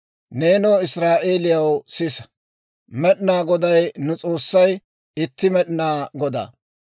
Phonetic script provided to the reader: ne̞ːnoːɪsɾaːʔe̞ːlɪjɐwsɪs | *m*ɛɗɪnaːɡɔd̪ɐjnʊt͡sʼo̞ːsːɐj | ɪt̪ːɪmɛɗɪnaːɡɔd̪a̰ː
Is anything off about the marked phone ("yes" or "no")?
no